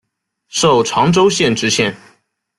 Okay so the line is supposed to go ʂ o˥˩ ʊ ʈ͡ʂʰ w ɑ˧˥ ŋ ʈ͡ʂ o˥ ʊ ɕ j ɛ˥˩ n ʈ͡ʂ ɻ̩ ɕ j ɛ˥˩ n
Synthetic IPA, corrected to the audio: ʂ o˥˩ ʊ ʈ͡ʂʰ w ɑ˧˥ ŋ ʈ͡ʂ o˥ ʊ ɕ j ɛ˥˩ n ʈ͡ʂ ɻ̩ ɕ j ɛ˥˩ n